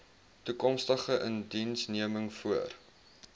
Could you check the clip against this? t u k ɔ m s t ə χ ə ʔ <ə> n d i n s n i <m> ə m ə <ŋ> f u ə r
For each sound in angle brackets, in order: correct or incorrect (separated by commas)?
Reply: correct, incorrect, correct